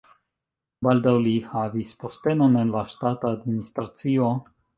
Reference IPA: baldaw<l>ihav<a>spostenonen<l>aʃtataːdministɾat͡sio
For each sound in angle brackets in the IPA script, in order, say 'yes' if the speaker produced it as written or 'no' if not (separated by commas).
yes, no, yes